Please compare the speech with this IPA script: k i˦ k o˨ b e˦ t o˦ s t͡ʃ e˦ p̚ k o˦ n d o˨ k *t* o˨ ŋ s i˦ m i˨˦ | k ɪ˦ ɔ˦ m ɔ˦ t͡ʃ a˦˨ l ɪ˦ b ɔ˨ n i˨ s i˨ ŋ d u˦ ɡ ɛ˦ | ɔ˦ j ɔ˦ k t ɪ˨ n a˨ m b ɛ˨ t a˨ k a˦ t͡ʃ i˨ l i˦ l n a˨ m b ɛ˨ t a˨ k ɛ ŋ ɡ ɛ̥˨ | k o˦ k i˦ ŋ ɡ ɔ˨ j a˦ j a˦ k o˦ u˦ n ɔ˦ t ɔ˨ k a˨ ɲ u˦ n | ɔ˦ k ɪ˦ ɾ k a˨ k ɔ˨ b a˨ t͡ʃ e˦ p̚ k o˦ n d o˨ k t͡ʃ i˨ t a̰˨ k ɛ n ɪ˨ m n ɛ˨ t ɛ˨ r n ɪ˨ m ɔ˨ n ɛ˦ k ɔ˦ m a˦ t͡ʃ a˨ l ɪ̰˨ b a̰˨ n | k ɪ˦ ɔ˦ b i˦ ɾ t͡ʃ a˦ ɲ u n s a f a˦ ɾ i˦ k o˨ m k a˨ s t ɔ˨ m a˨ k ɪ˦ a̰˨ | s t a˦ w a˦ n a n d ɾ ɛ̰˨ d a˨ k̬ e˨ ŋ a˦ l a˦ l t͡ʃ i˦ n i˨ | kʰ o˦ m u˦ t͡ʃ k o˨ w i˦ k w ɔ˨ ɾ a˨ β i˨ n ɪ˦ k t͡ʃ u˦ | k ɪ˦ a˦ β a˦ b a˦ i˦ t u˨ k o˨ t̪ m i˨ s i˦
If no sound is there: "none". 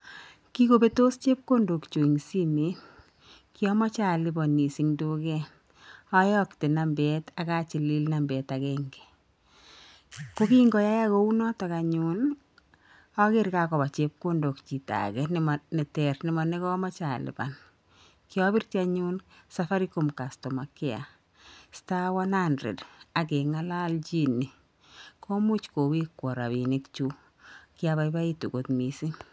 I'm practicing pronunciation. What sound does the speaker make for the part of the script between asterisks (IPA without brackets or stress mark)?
t͡ʃ